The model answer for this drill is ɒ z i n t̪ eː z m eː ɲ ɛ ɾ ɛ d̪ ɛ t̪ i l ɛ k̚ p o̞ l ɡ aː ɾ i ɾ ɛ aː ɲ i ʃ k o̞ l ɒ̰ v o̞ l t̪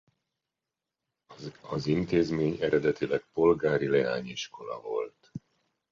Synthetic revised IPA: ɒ z i n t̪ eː z m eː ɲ ɛ ɾ ɛ d̪ ɛ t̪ i l ɛ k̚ p o̞ l ɡ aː ɾ i l ɛ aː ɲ i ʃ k o̞ l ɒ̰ v o̞ l t̪